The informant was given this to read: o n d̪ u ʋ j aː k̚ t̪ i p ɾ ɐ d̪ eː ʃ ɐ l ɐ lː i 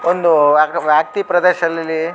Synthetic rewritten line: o n d̪ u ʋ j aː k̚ t̪ i p ɾ ɐ d̪ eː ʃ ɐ l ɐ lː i